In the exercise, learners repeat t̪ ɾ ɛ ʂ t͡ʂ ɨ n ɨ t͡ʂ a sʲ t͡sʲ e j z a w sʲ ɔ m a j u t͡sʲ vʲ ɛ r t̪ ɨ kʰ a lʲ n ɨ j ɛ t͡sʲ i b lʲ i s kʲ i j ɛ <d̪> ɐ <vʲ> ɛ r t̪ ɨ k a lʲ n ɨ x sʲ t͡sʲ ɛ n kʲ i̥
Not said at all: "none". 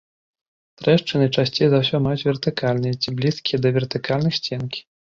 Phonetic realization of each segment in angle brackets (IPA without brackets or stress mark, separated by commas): d̪, vʲ